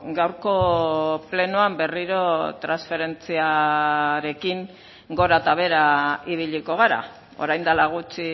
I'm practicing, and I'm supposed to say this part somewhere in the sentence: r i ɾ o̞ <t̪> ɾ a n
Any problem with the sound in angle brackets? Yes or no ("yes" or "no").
no